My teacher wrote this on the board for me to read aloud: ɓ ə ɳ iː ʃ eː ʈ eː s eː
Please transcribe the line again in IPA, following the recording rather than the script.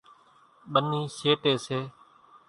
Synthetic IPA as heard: ɓ ə n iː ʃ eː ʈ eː s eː